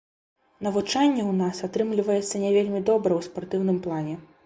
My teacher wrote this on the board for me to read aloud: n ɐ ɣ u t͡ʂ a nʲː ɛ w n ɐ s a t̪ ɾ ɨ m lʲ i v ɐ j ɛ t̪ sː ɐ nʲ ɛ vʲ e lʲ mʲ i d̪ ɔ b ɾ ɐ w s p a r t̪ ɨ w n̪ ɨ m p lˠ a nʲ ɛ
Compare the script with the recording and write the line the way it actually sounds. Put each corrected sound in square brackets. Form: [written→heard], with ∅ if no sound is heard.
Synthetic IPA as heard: n ɐ [ɣ→v] u t͡ʂ a nʲː ɛ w n [ɐ→a] s a t̪ ɾ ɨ m lʲ i v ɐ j ɛ t̪ sː ɐ nʲ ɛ vʲ e lʲ mʲ i d̪ ɔ b ɾ ɐ w s p a r t̪ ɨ w n̪ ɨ m p lˠ a nʲ ɛ